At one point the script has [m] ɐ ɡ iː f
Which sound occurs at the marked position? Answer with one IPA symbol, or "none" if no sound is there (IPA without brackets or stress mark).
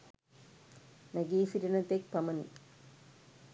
n